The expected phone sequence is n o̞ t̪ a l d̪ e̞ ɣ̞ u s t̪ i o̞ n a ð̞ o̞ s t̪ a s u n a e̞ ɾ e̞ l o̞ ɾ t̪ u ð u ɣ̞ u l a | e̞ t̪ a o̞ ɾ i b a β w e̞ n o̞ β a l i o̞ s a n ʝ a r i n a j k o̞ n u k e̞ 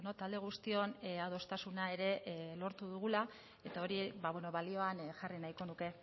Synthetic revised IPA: n o̞ t̪ a l d̪ e̞ ɣ̞ u s t̪ i o̞ n a ð̞ o̞ s t̪ a s u n a e̞ ɾ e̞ l o̞ ɾ t̪ u ð u ɣ̞ u l a | e̞ t̪ a o̞ ɾ i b a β w e̞ n o̞ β a l i o̞ a n ʝ a r i n a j k o̞ n u k e̞